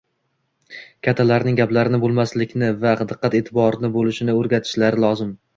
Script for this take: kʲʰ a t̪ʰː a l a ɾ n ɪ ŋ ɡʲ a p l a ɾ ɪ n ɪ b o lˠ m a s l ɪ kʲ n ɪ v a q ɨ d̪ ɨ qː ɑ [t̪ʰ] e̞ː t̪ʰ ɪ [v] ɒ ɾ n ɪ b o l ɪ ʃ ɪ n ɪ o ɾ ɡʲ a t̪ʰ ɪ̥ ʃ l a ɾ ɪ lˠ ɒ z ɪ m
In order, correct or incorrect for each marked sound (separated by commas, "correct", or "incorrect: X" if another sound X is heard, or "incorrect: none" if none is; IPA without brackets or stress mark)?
incorrect: t̪, incorrect: b